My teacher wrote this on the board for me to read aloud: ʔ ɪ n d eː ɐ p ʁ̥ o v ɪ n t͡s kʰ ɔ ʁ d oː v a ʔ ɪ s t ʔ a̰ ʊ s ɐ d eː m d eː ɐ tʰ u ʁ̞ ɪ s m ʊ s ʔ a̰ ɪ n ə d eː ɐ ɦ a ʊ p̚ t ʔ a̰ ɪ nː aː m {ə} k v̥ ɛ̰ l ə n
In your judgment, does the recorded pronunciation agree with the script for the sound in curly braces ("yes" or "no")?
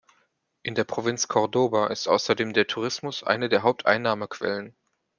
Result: yes